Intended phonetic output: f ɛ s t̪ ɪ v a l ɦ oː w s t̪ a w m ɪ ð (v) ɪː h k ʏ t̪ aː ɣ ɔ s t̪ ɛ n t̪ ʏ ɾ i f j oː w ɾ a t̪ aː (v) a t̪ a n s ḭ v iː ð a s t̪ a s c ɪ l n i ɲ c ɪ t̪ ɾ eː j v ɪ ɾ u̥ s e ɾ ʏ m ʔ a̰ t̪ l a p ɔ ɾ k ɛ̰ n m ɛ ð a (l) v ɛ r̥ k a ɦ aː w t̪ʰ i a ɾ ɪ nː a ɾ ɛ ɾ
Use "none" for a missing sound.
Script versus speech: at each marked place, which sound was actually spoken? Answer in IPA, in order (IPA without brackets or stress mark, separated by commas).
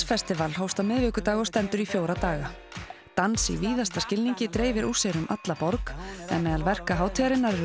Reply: v, ɣ, l